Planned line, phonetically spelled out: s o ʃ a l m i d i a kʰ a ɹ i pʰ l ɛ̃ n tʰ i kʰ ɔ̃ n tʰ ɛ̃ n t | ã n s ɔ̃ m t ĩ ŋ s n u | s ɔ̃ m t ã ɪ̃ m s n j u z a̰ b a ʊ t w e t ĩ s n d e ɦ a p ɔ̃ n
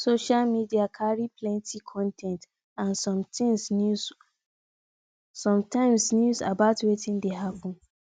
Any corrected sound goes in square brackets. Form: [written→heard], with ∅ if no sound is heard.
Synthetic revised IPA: s o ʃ a l m i d i a kʰ a ɹ i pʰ l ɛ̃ n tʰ i kʰ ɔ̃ n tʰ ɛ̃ n t | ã n s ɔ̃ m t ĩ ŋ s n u | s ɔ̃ m t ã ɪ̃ m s n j u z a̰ b a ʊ t w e t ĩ [s→∅] n d e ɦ a p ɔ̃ n